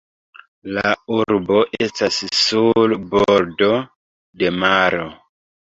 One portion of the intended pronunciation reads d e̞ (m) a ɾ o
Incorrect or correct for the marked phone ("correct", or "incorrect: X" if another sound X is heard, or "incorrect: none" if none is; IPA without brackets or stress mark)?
correct